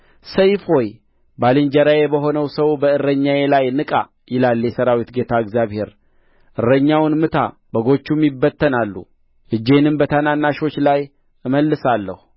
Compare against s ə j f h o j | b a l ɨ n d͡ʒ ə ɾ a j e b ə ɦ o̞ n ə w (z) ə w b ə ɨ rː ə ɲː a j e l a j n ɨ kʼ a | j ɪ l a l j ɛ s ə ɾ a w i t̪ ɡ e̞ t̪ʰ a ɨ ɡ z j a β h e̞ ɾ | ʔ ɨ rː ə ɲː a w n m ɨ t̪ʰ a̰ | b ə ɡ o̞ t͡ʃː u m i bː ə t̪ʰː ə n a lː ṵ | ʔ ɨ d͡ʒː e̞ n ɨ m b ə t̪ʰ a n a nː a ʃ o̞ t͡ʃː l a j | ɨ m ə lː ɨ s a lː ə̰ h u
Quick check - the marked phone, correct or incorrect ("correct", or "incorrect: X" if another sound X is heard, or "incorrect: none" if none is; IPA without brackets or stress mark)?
incorrect: s